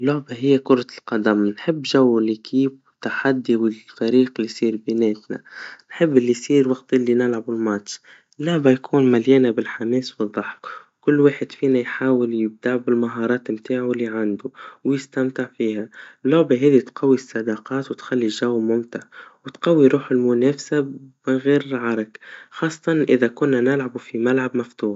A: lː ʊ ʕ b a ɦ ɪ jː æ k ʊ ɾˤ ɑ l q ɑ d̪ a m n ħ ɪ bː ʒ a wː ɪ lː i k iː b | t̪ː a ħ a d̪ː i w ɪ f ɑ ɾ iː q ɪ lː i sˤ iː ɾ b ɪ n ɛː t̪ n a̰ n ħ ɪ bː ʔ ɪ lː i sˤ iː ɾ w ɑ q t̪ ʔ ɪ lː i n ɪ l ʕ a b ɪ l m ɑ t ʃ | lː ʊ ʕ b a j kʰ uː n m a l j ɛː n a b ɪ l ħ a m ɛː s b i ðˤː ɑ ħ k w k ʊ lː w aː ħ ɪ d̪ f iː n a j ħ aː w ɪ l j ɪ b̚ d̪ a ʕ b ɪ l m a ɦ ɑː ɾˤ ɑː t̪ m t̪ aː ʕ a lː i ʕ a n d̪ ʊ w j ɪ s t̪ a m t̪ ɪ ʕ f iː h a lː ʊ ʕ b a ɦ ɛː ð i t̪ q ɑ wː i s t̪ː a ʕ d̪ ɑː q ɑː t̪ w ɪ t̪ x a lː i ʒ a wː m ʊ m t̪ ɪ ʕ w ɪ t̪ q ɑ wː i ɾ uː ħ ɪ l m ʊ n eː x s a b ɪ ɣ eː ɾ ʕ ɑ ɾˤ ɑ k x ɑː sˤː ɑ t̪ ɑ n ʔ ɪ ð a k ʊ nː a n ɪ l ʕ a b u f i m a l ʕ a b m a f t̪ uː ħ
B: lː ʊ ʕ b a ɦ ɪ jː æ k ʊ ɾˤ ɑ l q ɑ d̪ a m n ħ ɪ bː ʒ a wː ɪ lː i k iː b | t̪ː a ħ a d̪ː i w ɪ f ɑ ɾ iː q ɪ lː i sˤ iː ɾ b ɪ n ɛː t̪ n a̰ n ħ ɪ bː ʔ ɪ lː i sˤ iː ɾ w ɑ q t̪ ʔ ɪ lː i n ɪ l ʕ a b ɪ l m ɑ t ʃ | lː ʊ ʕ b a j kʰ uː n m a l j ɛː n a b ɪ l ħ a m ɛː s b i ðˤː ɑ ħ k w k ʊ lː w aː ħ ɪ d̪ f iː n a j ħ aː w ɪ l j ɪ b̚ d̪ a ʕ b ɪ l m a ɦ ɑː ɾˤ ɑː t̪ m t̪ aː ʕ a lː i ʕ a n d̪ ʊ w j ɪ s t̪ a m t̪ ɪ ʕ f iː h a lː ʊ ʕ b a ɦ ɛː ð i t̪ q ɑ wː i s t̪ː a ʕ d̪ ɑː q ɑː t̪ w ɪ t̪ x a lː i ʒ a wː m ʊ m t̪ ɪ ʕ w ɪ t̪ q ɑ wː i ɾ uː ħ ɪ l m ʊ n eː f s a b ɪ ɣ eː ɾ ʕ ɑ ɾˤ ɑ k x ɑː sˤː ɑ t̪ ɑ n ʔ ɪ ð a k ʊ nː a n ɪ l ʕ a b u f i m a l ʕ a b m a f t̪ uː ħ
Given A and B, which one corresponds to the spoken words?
B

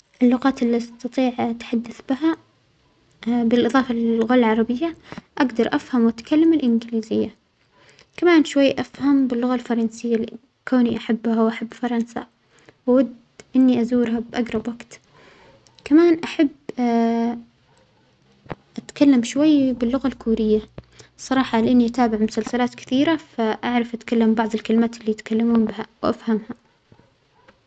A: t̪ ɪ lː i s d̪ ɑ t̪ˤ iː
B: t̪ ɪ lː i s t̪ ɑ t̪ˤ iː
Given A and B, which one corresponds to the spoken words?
B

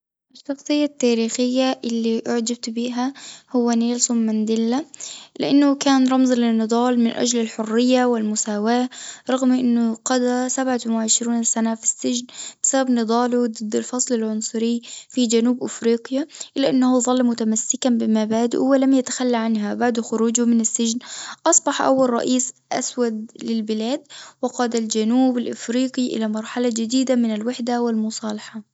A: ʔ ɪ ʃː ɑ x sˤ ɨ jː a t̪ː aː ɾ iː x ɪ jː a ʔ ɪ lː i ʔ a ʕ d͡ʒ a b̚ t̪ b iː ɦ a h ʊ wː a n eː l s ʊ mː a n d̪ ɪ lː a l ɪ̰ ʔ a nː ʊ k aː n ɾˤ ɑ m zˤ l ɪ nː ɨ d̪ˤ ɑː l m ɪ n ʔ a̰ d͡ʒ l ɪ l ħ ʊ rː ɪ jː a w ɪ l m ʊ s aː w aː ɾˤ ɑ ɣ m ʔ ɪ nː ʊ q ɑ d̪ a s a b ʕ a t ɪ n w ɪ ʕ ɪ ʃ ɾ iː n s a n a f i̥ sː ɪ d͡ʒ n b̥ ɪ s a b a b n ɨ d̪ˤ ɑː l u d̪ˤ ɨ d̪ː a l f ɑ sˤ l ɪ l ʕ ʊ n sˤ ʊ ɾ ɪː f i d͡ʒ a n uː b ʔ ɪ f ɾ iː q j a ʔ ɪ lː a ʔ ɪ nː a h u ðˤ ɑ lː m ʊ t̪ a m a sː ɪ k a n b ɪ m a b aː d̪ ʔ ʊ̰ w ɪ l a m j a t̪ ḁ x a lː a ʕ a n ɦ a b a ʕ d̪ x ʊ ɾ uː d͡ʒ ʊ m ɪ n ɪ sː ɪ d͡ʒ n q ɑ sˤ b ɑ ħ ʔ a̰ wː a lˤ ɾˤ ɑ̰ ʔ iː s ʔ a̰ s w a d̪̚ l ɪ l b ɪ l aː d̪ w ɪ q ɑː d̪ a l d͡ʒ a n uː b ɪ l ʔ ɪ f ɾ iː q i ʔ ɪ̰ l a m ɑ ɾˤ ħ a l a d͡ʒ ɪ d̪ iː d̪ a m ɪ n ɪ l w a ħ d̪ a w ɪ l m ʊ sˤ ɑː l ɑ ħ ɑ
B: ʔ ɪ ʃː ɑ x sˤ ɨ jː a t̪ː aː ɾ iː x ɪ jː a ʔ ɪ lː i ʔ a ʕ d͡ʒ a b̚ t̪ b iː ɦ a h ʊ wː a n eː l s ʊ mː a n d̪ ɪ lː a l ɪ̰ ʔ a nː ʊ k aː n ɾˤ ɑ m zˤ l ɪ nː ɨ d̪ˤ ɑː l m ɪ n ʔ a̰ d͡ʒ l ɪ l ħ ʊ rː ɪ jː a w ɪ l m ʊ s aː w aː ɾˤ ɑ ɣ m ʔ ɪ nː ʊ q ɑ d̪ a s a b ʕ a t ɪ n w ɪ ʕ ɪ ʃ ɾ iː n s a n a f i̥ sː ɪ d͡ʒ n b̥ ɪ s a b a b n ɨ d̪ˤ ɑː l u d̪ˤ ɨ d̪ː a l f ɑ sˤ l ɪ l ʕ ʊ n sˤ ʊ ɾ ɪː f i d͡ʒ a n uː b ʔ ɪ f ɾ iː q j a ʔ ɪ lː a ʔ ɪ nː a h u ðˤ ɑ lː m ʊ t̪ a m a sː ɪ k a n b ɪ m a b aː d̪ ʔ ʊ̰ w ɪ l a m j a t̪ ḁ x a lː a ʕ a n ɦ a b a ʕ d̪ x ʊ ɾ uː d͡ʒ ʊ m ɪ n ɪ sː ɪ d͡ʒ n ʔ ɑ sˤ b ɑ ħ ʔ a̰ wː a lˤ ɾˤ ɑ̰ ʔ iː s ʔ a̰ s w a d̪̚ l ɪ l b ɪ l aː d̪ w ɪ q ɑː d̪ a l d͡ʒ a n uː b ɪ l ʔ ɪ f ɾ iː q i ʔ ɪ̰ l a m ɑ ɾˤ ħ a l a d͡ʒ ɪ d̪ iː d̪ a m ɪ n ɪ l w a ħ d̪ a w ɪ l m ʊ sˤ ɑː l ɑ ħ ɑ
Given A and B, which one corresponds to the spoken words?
B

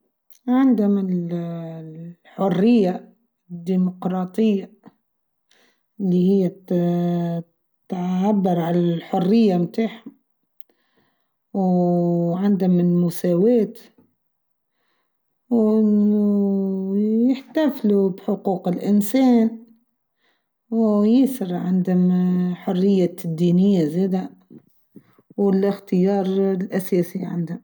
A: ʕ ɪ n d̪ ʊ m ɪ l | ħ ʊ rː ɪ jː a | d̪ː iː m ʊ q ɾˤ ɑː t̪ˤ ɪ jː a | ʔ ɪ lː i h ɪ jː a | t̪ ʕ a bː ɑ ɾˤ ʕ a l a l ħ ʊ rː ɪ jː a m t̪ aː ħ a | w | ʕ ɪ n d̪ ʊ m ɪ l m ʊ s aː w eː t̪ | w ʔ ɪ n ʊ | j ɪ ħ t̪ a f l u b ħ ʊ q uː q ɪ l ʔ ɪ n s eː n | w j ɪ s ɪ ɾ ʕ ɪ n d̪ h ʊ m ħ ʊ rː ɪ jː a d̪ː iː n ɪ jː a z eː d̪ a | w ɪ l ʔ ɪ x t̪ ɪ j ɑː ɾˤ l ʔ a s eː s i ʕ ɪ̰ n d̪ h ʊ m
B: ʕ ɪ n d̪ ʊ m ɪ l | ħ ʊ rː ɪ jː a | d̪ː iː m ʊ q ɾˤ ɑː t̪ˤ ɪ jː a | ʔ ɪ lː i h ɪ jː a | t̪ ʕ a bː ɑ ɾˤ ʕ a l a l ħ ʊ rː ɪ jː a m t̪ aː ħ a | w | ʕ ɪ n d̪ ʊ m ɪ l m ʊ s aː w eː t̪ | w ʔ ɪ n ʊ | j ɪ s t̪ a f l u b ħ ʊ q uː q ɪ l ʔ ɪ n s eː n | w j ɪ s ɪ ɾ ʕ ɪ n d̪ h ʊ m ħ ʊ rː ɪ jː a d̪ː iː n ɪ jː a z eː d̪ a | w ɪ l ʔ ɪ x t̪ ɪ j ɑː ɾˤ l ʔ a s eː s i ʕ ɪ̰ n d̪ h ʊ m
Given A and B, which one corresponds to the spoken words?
A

